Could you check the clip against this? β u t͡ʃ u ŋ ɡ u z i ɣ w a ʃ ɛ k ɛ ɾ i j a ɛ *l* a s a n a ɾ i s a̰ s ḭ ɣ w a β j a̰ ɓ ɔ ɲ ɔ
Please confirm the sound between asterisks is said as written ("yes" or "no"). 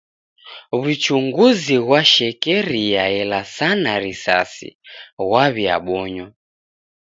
yes